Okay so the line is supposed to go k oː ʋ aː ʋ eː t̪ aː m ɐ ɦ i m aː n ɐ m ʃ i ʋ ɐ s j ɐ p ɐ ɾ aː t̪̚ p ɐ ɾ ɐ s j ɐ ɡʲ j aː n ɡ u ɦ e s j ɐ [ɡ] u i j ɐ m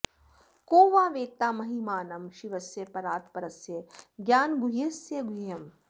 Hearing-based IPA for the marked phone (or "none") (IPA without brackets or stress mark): ɡ